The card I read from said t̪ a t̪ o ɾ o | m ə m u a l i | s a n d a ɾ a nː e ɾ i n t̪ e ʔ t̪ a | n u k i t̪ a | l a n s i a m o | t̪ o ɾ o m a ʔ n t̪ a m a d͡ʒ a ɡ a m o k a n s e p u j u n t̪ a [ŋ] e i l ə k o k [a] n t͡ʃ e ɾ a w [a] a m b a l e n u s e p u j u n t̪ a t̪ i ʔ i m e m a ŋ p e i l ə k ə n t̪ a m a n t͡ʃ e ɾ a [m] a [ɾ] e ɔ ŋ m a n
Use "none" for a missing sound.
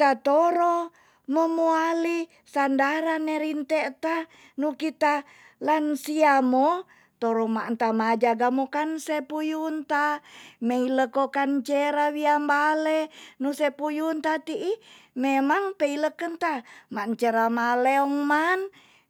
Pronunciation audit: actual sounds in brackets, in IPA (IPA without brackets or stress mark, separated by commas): m, a, i, m, l